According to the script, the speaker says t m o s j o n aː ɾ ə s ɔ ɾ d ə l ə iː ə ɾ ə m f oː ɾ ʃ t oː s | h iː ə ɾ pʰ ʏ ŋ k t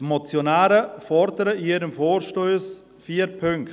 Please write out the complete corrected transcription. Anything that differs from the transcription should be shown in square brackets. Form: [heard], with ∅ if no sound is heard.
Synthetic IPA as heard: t m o [t͡s] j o n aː ɾ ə [f] ɔ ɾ d ə [ɾ] ə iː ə ɾ ə m f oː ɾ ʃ t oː s | [f] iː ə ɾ pʰ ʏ ŋ k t